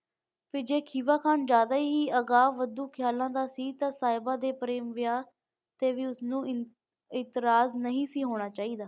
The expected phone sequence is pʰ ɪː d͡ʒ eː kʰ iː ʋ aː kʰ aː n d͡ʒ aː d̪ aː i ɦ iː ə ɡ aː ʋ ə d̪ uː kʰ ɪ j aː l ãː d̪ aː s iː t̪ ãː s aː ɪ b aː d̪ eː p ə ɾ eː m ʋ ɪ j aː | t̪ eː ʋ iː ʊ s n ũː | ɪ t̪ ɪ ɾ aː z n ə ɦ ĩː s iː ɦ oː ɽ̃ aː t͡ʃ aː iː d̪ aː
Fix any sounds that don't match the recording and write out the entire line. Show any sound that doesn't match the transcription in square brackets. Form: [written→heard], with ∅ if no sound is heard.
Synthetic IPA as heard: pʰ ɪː d͡ʒ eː kʰ iː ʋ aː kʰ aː n d͡ʒ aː d̪ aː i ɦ iː ə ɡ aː ʋ ə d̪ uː kʰ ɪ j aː l ãː d̪ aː s iː t̪ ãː s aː ɪ b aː d̪ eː p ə ɾ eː m ʋ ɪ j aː | t̪ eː ʋ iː ʊ s n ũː | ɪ t̪ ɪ ɾ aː z n ə ɦ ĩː s iː ɦ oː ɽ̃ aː t͡ʃ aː iː d̪ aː